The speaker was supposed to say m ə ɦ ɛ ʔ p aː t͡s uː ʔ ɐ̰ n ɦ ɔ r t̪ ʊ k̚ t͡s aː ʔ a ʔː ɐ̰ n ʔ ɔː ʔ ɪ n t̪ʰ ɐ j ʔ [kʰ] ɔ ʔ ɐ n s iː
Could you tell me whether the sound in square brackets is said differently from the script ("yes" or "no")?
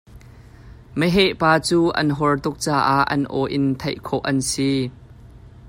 no